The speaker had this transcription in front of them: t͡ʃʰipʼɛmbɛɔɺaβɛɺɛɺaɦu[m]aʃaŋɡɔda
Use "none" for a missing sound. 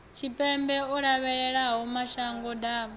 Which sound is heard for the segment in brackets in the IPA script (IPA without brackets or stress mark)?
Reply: m